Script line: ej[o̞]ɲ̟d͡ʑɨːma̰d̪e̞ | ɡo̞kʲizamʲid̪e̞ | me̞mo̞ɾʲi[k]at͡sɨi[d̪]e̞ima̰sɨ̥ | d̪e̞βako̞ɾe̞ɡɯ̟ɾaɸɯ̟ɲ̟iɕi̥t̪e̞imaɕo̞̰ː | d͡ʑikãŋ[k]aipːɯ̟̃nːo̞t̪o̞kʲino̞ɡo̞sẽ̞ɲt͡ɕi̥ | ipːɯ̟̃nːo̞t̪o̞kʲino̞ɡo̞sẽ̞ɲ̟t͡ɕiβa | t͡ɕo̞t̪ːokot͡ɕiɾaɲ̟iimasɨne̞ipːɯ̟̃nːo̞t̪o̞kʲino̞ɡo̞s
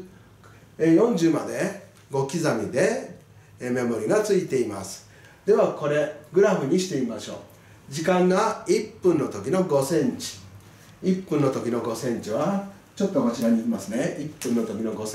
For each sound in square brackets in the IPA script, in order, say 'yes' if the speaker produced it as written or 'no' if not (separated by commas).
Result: no, no, no, no